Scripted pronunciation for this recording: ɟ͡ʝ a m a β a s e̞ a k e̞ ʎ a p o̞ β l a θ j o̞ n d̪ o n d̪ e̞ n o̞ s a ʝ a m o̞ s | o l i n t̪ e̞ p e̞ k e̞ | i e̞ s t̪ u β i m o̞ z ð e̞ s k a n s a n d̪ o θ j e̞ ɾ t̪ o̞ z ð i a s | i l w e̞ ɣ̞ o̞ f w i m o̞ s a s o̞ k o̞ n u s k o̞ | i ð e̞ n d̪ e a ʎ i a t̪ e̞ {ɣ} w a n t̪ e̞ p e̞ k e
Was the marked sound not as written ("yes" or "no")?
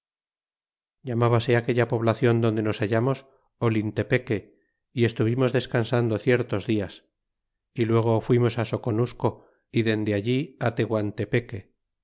no